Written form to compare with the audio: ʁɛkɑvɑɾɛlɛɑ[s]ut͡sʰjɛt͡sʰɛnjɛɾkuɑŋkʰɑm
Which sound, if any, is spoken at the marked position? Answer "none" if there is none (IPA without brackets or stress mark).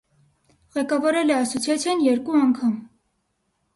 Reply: s